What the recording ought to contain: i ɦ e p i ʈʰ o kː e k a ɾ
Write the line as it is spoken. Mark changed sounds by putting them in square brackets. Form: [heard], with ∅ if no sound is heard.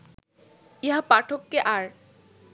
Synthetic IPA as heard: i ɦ [a] p [a] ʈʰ o kː e [ʔ] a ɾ